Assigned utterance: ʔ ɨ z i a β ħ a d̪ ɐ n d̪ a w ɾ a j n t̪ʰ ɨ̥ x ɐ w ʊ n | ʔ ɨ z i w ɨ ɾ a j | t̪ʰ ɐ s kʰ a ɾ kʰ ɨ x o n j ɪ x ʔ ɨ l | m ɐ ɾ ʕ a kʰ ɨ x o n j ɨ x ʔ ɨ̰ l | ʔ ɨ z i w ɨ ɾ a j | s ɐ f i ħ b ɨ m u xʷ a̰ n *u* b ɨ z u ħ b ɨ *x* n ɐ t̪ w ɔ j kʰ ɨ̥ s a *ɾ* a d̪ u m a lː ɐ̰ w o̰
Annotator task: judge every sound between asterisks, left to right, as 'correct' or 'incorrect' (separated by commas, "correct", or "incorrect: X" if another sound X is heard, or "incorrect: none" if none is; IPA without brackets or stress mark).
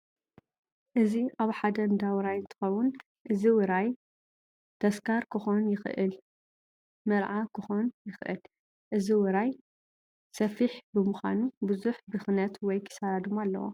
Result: correct, correct, correct